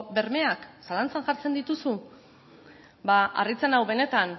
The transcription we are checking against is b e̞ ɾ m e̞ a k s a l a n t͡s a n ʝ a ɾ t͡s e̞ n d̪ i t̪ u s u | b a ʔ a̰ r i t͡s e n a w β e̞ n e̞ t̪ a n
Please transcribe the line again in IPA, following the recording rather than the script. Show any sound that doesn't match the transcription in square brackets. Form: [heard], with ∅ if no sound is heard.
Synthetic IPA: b e̞ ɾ m e̞ a k s a l a n t͡s a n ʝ a ɾ t͡s e̞ n d̪ i t̪ u s u | b a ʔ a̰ r i t͡s e n a w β e̞ n e̞ t̪ a n